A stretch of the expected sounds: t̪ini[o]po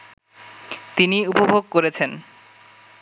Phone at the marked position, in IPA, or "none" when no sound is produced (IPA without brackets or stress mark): u